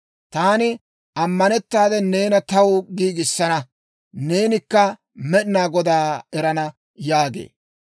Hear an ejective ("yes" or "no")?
no